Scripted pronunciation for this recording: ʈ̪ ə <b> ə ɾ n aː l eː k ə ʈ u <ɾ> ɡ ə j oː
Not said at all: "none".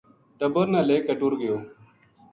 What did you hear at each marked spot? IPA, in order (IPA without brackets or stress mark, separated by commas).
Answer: b, ɾ